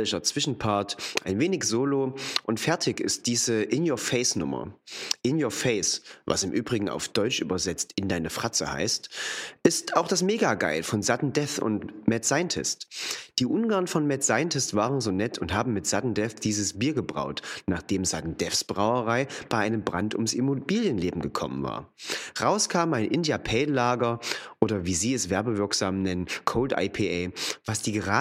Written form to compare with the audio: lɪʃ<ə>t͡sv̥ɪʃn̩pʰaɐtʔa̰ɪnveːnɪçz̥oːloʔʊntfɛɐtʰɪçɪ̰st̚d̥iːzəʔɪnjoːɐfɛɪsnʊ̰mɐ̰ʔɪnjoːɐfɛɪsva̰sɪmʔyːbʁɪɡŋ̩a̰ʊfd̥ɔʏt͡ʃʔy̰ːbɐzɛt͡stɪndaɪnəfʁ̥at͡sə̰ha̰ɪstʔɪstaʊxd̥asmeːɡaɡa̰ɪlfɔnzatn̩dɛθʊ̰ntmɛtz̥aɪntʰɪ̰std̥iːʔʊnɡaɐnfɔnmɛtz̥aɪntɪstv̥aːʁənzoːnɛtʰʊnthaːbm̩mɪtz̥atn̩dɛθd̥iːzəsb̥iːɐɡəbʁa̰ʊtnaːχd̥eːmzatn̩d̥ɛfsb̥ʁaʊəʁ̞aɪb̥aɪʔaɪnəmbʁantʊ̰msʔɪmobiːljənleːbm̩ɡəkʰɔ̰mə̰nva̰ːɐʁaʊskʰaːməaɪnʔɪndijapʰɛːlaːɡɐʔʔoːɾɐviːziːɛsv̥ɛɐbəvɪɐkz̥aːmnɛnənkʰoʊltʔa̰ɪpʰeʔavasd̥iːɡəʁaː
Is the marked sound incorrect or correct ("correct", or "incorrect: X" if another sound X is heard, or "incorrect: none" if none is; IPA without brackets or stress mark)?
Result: incorrect: ɐ